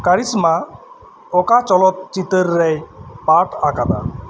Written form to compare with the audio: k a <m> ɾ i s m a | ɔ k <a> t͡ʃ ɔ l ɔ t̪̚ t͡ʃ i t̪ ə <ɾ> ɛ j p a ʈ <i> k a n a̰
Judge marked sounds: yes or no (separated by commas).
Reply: no, yes, no, no